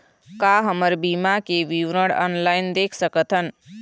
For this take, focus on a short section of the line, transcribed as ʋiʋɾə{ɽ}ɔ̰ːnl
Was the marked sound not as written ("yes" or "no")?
no